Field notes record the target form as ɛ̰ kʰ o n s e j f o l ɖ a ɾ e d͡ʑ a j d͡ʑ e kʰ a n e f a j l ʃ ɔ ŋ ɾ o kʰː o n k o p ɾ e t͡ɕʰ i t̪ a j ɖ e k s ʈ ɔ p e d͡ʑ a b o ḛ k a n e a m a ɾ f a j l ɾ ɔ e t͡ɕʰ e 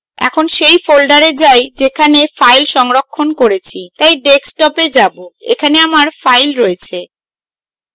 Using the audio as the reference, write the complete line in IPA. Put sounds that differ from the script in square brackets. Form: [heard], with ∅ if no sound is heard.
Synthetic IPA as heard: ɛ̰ kʰ o n [ʃ] e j f o l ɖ a ɾ e d͡ʑ a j d͡ʑ e kʰ a n e f a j l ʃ ɔ ŋ ɾ o kʰː o n k o [∅] ɾ e t͡ɕʰ i t̪ a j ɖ e k s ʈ ɔ p e d͡ʑ a b o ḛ [kʰ] a n e a m a ɾ f a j l ɾ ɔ e t͡ɕʰ e